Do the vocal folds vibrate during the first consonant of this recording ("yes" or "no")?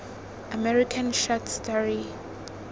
yes